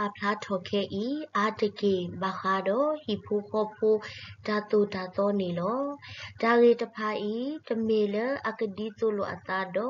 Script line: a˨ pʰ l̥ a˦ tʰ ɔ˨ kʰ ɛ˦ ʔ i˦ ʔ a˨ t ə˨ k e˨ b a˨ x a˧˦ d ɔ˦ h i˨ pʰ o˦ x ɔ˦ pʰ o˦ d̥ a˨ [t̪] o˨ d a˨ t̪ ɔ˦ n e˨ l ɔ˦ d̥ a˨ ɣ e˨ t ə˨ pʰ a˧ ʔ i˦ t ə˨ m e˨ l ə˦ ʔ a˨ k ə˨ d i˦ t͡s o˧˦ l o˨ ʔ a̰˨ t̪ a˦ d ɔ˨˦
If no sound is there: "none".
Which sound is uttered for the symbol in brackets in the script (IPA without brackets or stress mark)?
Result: t̪